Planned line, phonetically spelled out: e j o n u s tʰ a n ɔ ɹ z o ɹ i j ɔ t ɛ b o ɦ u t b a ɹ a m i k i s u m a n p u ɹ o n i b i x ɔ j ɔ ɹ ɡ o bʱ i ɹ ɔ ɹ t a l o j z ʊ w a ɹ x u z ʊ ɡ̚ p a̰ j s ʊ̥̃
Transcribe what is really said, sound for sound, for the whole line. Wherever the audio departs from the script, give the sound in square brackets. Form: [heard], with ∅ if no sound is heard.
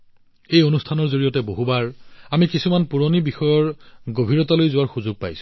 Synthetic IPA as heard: e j o n u s tʰ a n ɔ ɹ z o ɹ i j ɔ t ɛ b o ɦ u [∅] b a ɹ a m i k i s u m a n p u ɹ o n i b i x ɔ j ɔ ɹ ɡ o bʱ i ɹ ɔ [∅] t a l o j z ʊ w a ɹ x u z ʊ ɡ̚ p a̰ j s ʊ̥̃